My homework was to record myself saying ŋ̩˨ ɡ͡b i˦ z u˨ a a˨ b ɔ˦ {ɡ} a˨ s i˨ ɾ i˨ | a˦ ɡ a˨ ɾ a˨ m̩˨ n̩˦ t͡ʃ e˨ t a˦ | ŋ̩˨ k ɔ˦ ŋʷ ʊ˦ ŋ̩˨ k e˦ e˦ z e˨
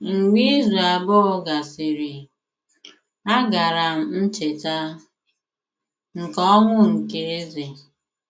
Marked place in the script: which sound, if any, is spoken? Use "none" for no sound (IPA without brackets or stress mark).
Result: ɡ